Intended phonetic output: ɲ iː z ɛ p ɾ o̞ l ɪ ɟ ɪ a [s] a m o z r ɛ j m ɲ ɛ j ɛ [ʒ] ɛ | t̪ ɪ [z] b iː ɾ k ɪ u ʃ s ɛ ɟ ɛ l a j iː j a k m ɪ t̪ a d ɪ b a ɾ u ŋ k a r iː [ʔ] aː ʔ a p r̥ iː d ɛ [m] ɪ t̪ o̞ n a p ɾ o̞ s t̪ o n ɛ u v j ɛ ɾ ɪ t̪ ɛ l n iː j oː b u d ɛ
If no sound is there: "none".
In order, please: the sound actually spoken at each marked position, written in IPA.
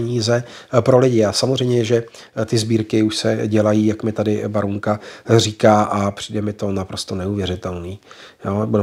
s, ʒ, z, k, m

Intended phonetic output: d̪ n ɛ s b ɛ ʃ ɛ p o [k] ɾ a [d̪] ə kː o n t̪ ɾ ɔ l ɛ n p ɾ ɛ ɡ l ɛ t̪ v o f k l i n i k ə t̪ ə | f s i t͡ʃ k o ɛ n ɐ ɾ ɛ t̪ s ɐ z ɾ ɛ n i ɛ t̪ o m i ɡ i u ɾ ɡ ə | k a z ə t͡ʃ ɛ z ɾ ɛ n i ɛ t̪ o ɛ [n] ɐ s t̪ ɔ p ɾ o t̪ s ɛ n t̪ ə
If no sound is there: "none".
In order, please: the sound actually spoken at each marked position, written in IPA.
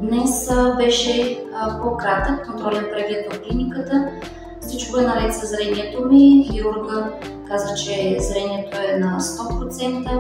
k, t̪, n

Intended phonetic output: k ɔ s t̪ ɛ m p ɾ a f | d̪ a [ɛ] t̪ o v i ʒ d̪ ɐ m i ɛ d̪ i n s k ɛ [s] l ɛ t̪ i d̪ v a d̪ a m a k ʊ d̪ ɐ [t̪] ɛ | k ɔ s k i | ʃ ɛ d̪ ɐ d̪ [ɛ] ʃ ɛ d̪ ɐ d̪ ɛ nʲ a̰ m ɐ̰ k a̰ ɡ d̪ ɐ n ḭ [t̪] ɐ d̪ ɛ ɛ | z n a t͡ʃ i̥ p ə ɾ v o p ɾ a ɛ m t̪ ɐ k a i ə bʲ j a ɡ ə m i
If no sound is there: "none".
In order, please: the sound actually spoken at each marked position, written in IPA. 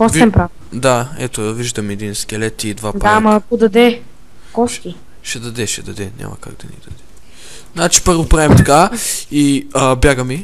ɛ, none, d̪, ɛ, d̪

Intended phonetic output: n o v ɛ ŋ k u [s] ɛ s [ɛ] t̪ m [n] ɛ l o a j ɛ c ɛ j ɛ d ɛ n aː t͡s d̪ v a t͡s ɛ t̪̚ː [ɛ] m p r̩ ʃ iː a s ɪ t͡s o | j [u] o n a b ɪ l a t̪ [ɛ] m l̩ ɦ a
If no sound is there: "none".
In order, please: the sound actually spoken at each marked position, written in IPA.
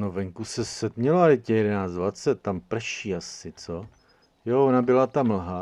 s, ɛ, ɲ, a, o, a

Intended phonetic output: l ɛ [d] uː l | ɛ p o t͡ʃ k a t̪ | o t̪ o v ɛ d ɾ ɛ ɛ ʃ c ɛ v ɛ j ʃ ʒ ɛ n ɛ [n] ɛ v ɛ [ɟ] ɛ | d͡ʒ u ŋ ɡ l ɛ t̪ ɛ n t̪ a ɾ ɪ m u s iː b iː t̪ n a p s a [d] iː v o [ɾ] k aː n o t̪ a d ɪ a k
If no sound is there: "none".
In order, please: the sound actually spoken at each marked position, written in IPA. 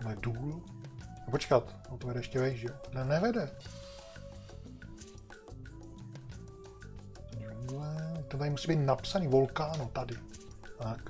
d, n, d, n, l

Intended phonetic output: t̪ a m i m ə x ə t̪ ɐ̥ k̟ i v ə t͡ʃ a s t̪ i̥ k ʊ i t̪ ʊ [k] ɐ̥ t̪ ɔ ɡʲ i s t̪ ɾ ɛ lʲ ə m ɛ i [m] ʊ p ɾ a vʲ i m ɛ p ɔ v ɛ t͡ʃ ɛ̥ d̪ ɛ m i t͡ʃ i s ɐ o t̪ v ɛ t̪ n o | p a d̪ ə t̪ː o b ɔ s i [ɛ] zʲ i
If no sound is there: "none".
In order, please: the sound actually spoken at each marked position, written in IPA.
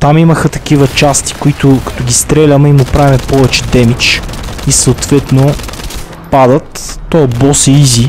k, m, i

